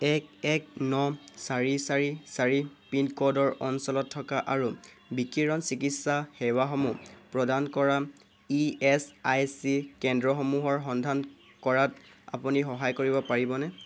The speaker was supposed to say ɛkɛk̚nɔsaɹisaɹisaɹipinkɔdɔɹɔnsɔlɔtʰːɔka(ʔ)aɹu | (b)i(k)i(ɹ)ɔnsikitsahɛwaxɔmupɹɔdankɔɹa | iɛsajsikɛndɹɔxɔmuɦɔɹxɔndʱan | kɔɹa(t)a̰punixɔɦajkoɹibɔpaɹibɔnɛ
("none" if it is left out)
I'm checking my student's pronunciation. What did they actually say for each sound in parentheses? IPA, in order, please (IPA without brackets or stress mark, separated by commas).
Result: ʔ, b, k, ɹ, t